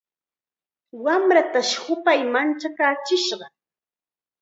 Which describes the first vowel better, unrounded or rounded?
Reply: unrounded